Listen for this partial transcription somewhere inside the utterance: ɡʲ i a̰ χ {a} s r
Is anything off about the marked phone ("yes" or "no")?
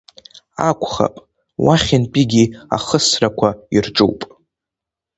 yes